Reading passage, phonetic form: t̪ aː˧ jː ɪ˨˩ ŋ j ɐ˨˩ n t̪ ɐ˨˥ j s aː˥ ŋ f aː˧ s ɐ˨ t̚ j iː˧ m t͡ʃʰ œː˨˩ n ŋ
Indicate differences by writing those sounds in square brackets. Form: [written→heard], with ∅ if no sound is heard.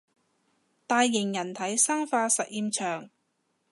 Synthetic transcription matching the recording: t̪ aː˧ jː ɪ˨˩ ŋ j ɐ˨˩ n [t̪→t̪ʰ] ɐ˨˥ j s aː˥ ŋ f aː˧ s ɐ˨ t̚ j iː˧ m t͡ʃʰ œː˨˩ [n→∅] ŋ

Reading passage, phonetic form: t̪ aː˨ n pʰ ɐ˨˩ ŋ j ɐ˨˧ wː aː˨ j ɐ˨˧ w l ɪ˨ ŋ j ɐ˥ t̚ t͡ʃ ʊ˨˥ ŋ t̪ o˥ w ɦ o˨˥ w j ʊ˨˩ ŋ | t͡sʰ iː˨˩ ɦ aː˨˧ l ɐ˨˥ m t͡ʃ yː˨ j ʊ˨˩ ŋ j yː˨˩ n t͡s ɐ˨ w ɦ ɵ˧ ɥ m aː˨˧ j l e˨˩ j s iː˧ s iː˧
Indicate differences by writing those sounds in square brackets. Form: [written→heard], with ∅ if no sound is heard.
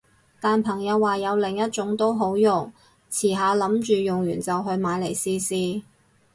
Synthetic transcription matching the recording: t̪ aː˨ n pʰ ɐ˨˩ ŋ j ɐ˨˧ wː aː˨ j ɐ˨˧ w l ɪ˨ ŋ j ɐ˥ t̚ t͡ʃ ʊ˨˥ ŋ t̪ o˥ w ɦ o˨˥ w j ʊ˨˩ ŋ | t͡sʰ iː˨˩ ɦ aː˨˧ l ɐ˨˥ m t͡ʃ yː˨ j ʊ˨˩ ŋ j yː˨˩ n t͡s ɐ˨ w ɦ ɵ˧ ɥ m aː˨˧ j l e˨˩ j s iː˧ s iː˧

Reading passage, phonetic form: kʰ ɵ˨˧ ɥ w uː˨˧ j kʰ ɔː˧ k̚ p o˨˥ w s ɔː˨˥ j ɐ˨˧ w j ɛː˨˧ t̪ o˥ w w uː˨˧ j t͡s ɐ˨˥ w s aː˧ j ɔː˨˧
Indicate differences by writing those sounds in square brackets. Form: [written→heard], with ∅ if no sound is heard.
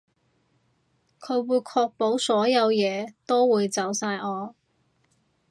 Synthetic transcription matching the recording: kʰ ɵ˨˧ ɥ w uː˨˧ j kʰ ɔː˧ k̚ p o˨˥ w s ɔː˨˥ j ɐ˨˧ w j ɛː˨˧ t̪ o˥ w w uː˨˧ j t͡s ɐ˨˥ w s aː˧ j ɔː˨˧

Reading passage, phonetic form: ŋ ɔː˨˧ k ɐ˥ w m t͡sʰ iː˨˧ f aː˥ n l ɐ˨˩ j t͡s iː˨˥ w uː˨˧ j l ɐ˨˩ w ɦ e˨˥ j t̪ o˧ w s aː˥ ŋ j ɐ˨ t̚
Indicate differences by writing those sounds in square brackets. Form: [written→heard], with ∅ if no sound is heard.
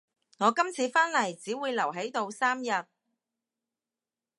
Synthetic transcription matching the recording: ŋ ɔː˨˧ k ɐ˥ [w→∅] m t͡sʰ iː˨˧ f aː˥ n l ɐ˨˩ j t͡s iː˨˥ w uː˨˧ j l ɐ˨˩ w ɦ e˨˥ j t̪ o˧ w s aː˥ [ŋ→m] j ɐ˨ t̚

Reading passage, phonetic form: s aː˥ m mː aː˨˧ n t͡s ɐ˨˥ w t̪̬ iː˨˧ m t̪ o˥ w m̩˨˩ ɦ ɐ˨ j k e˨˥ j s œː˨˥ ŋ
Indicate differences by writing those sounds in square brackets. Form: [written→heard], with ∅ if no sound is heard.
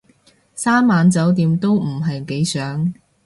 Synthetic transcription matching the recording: s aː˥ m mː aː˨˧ n t͡s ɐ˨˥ w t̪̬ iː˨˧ m t̪ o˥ w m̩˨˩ ɦ ɐ˨ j k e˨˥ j s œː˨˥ ŋ

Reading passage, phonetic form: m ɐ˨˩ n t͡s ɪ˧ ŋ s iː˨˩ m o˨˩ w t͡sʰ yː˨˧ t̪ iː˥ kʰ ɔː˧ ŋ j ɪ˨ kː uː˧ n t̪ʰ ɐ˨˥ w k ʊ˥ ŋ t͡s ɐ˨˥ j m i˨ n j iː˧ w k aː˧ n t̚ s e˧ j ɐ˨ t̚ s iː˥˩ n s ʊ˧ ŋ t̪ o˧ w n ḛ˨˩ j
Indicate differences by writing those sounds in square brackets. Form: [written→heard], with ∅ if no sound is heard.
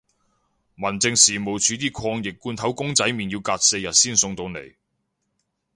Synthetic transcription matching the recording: m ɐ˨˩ n t͡s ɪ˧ ŋ s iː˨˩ m o˨˩ w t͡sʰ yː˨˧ t̪ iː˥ kʰ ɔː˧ ŋ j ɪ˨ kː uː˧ n t̪ʰ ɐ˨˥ w k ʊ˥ ŋ t͡s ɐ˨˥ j m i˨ n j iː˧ w k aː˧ [n→∅] t̚ s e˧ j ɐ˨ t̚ s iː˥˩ n s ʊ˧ ŋ t̪ o˧ w n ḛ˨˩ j

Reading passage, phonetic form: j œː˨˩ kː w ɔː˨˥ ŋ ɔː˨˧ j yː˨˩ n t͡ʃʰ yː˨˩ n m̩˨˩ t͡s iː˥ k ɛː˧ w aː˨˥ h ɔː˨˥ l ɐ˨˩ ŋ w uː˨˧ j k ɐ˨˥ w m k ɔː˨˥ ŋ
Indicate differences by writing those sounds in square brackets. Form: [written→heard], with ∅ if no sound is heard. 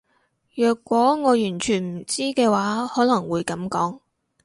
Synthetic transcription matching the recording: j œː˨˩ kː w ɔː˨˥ ŋ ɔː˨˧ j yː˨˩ n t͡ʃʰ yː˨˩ n m̩˨˩ t͡s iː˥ k ɛː˧ w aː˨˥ h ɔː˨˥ l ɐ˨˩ ŋ w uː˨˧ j k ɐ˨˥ [w→∅] m k ɔː˨˥ ŋ

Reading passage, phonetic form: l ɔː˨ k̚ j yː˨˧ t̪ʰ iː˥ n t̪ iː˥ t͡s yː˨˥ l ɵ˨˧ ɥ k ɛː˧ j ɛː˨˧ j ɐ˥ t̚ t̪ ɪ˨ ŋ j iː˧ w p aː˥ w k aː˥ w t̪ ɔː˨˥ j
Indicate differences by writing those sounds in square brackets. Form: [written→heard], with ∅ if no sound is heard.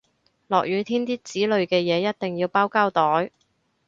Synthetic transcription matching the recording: l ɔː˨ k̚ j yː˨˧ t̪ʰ iː˥ n t̪ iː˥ t͡s [yː˨˥→iː˨˥] l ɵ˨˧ ɥ k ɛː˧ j ɛː˨˧ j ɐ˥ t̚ t̪ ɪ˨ ŋ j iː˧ w p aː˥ w k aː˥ w t̪ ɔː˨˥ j

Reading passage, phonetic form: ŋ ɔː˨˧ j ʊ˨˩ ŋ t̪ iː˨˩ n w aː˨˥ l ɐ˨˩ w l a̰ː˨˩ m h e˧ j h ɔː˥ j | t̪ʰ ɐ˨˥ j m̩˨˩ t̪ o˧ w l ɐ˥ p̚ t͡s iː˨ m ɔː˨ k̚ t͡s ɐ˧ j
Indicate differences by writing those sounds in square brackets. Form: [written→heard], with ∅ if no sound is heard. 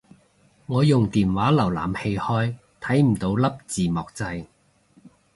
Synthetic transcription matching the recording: ŋ ɔː˨˧ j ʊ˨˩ ŋ t̪ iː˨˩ n w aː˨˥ l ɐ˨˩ w l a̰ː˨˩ m h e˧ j h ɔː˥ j | t̪ʰ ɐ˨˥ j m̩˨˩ t̪ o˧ w l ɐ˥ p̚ t͡s iː˨ m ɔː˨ k̚ t͡s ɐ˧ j

